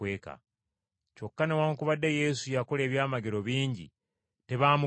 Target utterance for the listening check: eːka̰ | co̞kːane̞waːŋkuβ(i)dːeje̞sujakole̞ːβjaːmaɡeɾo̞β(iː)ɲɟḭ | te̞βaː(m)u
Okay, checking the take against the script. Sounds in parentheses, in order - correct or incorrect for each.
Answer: incorrect, correct, correct

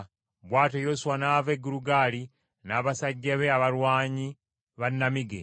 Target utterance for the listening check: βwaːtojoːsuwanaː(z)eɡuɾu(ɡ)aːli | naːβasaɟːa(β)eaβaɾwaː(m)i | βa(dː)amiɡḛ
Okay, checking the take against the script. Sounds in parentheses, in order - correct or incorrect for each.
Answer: incorrect, correct, correct, incorrect, incorrect

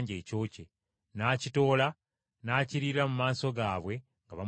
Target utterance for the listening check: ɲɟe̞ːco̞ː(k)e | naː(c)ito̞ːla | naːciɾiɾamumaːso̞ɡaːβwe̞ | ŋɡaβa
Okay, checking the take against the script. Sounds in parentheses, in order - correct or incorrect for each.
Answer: incorrect, correct

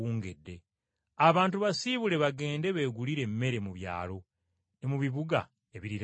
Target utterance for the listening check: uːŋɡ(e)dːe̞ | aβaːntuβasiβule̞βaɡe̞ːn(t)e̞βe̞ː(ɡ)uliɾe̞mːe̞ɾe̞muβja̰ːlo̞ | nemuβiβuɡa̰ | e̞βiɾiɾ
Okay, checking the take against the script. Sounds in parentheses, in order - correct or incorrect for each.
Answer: correct, incorrect, correct

